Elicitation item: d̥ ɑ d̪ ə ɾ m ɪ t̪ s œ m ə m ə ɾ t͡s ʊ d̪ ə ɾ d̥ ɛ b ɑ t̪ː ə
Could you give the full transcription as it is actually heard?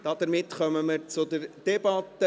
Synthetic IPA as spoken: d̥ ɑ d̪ ə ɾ m ɪ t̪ χ œ m ə m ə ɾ t͡s ʊ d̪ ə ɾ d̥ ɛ b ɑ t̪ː ə